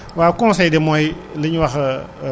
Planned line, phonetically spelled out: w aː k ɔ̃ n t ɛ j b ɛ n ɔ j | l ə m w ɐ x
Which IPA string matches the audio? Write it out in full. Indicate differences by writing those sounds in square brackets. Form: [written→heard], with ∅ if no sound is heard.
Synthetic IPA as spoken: w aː k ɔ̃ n [t→s] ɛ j [b→d] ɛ [n→m] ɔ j | l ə [m→ɲ] w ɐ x